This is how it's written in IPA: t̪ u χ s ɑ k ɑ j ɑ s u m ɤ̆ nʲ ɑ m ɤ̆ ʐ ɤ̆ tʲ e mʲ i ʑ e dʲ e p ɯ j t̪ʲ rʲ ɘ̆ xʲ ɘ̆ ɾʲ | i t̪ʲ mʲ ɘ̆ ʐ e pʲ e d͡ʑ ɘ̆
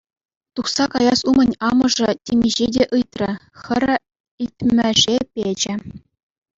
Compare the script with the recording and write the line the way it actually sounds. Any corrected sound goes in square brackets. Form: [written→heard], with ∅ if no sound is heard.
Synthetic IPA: t̪ u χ s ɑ k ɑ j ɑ s u m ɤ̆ nʲ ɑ m ɤ̆ ʐ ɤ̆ tʲ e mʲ i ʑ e dʲ e [p→ʔ] ɯ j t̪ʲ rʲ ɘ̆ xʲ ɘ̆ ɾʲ | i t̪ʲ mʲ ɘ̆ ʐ e pʲ e d͡ʑ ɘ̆